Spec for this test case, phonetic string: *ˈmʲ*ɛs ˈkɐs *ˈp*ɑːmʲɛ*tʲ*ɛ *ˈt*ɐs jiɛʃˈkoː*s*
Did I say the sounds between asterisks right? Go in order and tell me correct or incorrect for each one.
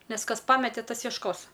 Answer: incorrect: nʲ, correct, correct, correct, correct

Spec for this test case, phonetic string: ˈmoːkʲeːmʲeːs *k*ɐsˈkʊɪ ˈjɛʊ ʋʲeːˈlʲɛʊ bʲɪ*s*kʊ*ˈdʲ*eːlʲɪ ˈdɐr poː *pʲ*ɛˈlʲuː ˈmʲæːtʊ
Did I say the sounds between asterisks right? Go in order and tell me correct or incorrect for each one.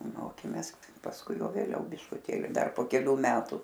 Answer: incorrect: p, incorrect: ʃ, incorrect: tʲ, incorrect: kʲ

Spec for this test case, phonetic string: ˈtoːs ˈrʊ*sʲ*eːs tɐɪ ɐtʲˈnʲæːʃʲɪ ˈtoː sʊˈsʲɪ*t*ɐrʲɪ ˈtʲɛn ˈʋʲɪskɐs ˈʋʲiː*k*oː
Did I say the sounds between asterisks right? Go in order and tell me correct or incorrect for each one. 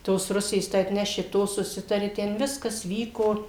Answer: correct, correct, correct

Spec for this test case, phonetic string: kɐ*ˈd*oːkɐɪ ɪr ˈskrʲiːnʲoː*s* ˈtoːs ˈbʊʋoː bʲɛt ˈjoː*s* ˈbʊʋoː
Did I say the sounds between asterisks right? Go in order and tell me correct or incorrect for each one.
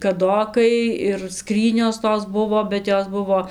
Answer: correct, correct, correct

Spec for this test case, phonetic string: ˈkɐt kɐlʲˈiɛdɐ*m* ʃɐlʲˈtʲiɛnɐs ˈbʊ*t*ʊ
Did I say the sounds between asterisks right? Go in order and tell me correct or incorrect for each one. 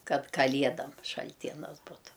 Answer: correct, correct

